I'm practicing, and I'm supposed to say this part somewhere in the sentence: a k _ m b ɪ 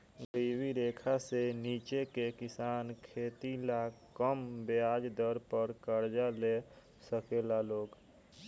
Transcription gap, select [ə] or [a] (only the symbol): ə